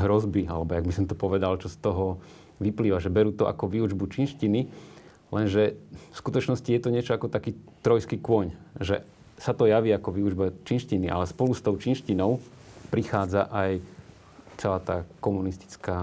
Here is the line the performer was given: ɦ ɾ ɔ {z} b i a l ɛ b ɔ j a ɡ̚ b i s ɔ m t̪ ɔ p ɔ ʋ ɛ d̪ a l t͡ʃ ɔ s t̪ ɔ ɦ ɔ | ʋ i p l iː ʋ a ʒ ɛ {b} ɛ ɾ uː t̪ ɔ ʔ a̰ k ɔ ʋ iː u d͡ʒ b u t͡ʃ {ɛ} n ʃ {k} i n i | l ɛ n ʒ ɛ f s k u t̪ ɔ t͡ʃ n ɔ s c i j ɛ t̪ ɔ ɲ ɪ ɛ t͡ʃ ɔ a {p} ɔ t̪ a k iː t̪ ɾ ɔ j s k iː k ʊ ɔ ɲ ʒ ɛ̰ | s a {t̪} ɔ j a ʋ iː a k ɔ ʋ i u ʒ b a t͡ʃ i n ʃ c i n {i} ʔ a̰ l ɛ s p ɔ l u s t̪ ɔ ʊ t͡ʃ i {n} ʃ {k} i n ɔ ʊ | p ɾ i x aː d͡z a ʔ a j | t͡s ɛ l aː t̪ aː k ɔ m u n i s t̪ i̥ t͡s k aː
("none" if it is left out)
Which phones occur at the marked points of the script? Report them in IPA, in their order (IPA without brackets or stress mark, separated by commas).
z, b, i, c, k, t̪, i, n, c